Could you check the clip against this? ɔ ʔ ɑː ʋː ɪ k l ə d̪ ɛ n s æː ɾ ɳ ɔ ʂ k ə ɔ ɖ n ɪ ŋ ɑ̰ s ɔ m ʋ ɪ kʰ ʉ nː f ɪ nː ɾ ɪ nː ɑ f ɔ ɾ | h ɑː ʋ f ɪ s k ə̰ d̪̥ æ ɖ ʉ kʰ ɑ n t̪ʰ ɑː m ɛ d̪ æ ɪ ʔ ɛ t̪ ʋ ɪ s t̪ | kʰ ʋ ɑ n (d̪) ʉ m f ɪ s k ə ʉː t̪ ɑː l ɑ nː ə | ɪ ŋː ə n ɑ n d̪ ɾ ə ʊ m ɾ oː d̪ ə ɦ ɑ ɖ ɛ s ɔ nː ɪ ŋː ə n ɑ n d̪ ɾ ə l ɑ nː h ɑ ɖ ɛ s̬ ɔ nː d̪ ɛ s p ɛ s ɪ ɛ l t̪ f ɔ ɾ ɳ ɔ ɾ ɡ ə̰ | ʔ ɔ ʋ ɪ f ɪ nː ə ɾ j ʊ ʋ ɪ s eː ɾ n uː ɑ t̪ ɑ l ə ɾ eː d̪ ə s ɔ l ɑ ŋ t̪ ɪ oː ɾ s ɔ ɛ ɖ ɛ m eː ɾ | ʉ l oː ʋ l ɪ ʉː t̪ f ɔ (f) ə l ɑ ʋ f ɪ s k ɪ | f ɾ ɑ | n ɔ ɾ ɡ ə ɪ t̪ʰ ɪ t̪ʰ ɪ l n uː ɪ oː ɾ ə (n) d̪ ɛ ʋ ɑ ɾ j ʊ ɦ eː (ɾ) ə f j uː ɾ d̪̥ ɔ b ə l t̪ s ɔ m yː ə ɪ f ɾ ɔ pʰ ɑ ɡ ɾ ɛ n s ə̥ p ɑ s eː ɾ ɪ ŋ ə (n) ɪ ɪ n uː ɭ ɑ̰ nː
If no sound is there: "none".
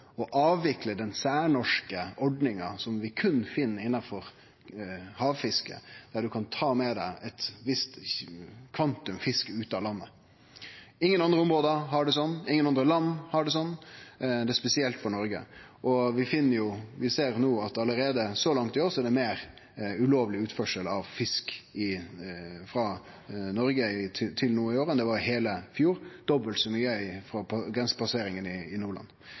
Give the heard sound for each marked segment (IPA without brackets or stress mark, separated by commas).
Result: t̪, ʂ, n, l, n